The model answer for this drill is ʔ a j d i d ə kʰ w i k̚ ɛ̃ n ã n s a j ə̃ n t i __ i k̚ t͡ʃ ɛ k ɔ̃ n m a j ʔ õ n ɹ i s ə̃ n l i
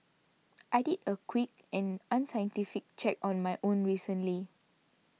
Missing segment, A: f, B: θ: A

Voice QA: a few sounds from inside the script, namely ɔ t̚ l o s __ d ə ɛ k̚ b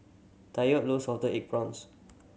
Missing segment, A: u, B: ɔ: B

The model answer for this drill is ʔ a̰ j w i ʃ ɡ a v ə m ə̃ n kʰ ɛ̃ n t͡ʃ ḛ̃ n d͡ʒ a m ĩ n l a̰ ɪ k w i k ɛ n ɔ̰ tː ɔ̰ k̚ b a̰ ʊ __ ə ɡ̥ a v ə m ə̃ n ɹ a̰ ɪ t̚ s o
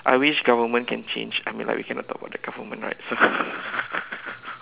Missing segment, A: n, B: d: B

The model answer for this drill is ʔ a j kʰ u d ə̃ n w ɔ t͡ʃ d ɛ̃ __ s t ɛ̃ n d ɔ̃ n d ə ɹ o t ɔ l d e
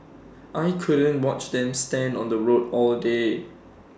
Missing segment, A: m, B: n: A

